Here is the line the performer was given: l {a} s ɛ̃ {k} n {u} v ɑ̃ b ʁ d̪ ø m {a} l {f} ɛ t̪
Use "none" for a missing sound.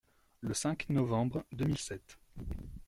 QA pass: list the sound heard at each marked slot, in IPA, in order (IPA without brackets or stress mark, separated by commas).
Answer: ə, k, ɔ, i, s